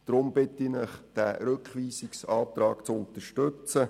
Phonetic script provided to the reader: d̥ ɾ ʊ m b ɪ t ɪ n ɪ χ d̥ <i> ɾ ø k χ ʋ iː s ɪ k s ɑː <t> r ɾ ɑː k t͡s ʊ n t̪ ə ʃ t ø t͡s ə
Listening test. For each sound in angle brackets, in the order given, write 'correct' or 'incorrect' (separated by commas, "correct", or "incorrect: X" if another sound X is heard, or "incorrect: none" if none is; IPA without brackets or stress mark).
incorrect: æ, correct